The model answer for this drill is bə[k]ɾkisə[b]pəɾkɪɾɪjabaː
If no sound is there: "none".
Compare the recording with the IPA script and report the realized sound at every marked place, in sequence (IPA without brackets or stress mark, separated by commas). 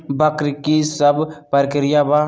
k, b